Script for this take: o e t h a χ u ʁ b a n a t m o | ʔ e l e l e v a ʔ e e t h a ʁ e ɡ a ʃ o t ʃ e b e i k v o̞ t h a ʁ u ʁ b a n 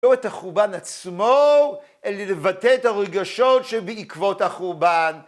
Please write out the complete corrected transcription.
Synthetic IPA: o e t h a χ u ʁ b a n a t͡s m o | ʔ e l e l e v a t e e t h a ʁ e ɡ a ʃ o t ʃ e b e i k v o̞ t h a χ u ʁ b a n